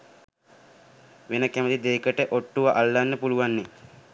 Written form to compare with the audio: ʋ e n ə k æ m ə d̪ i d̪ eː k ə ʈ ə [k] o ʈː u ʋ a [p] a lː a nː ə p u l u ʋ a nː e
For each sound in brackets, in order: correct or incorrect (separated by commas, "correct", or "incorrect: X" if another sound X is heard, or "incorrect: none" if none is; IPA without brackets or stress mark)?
incorrect: ʔ, incorrect: ʔ